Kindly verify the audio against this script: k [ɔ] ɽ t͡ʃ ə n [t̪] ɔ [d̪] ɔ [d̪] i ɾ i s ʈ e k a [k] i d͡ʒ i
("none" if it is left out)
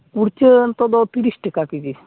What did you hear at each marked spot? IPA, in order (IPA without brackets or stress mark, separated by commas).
u, t̪, d̪, t̪, k